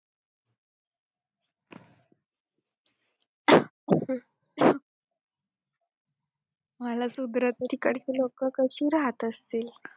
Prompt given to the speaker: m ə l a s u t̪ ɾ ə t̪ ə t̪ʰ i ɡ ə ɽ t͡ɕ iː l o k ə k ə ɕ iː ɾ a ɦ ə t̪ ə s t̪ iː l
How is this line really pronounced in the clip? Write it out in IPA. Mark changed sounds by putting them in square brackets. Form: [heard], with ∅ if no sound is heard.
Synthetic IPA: m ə l a s u [d̪] ɾ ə t̪ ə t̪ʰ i [k] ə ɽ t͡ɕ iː l o k ə k ə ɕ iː ɾ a ɦ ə t̪ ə s t̪ iː l